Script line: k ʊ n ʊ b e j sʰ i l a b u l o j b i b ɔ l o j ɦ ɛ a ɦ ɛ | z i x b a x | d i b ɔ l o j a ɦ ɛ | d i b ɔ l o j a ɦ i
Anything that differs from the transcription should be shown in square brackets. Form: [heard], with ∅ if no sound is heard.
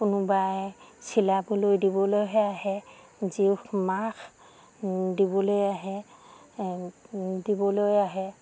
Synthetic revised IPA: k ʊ n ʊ b [a] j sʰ i l a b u l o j [d] i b ɔ l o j ɦ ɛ a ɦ ɛ | z i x [m] a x | d i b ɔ l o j a ɦ ɛ | d i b ɔ l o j a ɦ [ɛ]